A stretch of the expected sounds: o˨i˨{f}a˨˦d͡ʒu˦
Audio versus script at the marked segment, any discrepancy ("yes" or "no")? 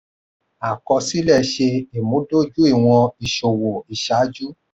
yes